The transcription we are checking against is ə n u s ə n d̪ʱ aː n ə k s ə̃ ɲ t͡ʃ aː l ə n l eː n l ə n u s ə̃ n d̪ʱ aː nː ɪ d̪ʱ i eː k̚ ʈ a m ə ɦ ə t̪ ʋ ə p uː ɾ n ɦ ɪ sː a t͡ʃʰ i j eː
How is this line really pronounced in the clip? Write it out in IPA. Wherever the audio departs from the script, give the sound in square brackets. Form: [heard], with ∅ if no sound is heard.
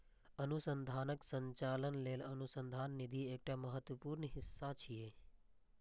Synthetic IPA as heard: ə n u s ə n d̪ʱ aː n ə k s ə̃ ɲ t͡ʃ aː l ə n l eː [∅] l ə n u s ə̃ n d̪ʱ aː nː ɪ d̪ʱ i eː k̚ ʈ a m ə ɦ ə t̪ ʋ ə p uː ɾ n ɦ ɪ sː a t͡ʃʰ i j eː